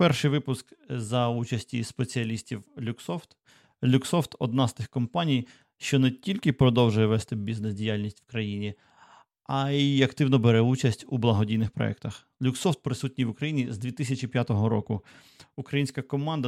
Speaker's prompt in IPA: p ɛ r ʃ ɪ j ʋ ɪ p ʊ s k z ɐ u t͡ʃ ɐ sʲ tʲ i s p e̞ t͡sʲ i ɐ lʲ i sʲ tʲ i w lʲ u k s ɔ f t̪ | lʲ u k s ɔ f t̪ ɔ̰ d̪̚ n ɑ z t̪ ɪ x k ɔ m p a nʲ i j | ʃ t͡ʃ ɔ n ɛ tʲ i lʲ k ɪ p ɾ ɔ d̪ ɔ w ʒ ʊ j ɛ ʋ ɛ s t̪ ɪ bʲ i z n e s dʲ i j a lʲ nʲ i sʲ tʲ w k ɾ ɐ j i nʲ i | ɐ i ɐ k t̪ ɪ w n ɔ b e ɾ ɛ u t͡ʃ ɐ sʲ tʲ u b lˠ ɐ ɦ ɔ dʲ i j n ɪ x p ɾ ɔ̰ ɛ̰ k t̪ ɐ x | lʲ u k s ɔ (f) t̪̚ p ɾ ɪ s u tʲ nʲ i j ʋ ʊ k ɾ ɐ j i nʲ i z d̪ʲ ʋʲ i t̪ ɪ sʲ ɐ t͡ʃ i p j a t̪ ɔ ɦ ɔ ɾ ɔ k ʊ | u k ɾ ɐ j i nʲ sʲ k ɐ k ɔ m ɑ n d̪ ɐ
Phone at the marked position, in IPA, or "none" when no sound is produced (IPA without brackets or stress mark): f